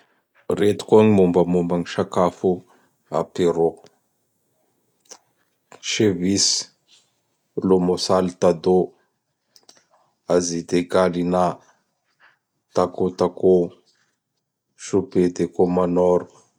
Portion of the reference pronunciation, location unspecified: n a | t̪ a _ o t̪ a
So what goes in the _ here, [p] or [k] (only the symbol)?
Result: k